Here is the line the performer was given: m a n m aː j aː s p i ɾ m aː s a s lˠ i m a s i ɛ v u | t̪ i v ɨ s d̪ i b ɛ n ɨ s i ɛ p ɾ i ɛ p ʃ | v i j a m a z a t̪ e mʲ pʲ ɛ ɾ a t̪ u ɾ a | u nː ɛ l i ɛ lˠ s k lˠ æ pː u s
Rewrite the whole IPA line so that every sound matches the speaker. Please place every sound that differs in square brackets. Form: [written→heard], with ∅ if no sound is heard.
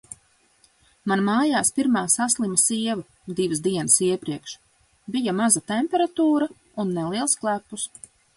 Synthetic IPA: m a n m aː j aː s p i ɾ m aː s a s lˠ i m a s i ɛ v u | [t̪→d̪] i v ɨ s d̪ i [b→∅] ɛ n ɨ s i ɛ p ɾ i ɛ [p→k] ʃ | [v→b] i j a m a z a t̪ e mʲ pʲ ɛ ɾ a t̪ [u→uː] ɾ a | u nː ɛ l i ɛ lˠ s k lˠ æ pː u s